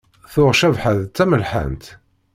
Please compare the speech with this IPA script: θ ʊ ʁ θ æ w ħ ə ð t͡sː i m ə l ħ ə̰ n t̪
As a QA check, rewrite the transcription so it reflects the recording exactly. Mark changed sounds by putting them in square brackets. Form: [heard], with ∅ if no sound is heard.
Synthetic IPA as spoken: θ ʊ ʁ [ʃ] æ [v] ħ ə ð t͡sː [æ] m ə l ħ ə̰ n t̪